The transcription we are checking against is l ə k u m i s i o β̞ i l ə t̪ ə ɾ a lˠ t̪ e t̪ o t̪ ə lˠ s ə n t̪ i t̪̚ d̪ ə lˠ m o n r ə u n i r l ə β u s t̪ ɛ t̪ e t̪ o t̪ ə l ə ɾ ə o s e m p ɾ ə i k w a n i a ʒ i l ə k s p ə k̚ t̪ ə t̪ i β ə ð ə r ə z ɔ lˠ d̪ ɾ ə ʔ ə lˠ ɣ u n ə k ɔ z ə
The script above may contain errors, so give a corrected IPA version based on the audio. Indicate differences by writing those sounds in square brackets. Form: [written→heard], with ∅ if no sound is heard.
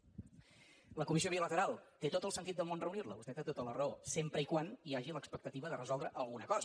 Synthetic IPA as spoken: l ə k u m i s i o β̞ i l ə t̪ ə ɾ a lˠ t̪ e t̪ o t̪ ə lˠ s ə n t̪ i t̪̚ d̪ ə lˠ m o n r ə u n i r l ə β u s t̪ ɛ t̪ e t̪ o t̪ ə l ə [ɾ→r] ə o s e m p ɾ ə i k w a n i a ʒ i l ə k s p ə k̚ t̪ ə t̪ i β ə ð ə r ə z ɔ lˠ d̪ ɾ ə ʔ ə lˠ ɣ u n ə k ɔ z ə

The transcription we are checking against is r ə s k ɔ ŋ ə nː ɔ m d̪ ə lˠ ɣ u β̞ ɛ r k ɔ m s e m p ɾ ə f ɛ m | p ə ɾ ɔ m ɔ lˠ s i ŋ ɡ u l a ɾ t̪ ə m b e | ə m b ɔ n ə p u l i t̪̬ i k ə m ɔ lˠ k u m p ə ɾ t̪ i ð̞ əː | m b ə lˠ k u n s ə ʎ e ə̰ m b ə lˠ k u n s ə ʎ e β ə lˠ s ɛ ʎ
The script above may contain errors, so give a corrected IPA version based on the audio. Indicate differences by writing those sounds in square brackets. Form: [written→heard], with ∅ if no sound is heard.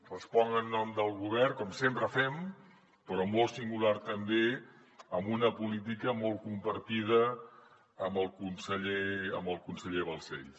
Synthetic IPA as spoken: r ə s [k→p] ɔ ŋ ə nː ɔ m d̪ ə lˠ ɣ u β̞ ɛ r k ɔ m s e m p ɾ ə f ɛ m | p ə ɾ ɔ m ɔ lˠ s i ŋ ɡ u l a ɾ t̪ ə m b e | ə m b [ɔ→u] n ə p u l i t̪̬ i k ə m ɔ lˠ k u m p ə ɾ t̪ i ð̞ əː | m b ə lˠ k u n s ə ʎ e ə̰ m b ə lˠ k u n s ə ʎ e β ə lˠ s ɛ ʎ

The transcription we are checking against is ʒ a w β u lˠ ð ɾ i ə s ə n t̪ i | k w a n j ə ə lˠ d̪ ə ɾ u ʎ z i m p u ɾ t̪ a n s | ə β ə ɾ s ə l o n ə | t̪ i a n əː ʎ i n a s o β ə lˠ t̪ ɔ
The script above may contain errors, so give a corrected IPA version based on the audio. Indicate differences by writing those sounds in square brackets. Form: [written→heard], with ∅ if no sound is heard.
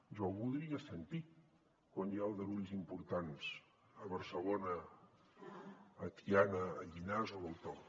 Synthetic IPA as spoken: ʒ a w β u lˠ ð ɾ i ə s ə n t̪ i | k w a n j [ə→a] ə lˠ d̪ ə ɾ u ʎ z i m p u ɾ t̪ a n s | ə β ə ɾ s ə l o n ə | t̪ i a n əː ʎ i n a [s→z] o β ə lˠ t̪ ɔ

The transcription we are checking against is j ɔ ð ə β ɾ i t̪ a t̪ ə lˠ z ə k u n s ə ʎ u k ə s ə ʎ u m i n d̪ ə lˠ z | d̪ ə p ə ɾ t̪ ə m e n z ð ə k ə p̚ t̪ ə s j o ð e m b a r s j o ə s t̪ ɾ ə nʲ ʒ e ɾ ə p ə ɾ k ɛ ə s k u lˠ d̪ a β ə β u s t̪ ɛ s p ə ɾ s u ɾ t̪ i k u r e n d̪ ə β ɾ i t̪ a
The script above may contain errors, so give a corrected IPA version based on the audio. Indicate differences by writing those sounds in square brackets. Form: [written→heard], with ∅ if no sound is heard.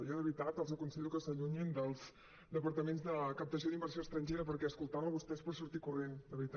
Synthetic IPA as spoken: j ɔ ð ə β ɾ i t̪ a t̪ ə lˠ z ə k u n s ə ʎ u k ə s ə ʎ u [m→ɲ] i n d̪ ə lˠ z | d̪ ə p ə ɾ t̪ ə m e n z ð ə k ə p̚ t̪ ə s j o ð [e→i] m b [a→ə] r s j o ə s t̪ ɾ ə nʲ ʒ e ɾ ə p ə ɾ k ɛ ə s k u lˠ [d̪→t̪] a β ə β u s t̪ ɛ s p ə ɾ s u ɾ t̪ i k u r e n d̪ ə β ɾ i t̪ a

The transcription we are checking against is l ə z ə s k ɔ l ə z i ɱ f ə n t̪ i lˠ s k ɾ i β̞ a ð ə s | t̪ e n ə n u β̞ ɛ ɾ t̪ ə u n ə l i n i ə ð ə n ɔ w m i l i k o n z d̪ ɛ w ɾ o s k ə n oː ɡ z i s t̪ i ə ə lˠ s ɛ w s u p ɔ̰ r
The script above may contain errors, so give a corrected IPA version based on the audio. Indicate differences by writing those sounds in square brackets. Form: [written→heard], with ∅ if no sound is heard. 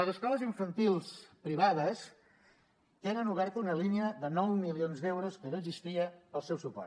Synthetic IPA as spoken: l ə z ə s k ɔ l ə z i ɱ f ə n t̪ i lˠ s [k→p] ɾ i β̞ a ð ə s | t̪ e n ə n u β̞ ɛ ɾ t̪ ə u n ə l i n i ə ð ə n ɔ w m i l i [k→∅] o n z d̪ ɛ w ɾ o s k ə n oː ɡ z i s t̪ i ə ə lˠ s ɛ w s u p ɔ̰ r

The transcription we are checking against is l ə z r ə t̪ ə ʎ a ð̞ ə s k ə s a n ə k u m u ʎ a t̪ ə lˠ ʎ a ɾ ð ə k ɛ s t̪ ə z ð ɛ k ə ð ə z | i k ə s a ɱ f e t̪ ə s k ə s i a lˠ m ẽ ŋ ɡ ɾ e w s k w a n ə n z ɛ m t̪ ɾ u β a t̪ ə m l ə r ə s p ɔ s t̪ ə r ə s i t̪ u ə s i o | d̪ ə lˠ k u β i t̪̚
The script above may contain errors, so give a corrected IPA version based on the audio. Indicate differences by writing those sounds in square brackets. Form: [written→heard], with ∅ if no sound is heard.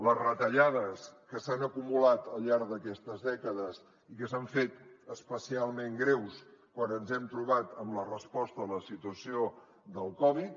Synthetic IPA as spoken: l ə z r ə t̪ ə ʎ a ð̞ ə s k ə s a n ə k u m u [ʎ→l] a t̪ ə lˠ ʎ a ɾ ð ə k ɛ s t̪ ə z ð ɛ k ə ð ə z | i k ə s a ɱ f e t̪ ə s [k→p] ə s i a lˠ m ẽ ŋ ɡ ɾ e w s k w a n ə n z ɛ m t̪ ɾ u β a t̪ ə m l ə r ə s p ɔ s t̪ ə [r→l] ə s i t̪ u ə s i o | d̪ ə lˠ k [u→ɔ] β i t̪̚

